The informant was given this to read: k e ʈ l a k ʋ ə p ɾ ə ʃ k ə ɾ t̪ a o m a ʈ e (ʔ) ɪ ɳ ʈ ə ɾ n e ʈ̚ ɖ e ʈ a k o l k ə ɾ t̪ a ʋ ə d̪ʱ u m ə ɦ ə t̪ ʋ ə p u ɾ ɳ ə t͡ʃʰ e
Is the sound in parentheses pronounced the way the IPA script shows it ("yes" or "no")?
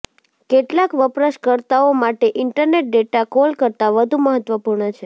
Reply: yes